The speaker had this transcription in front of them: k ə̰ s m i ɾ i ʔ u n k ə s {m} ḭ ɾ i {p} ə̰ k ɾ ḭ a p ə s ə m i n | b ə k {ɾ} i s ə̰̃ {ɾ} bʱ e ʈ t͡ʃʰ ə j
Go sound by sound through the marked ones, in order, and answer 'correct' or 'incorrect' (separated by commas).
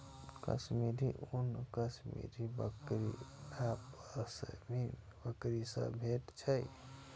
correct, incorrect, correct, incorrect